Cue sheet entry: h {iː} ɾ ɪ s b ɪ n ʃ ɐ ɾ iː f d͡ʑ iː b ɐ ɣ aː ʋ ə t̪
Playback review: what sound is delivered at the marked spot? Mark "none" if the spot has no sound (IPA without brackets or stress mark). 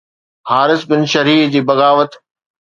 aː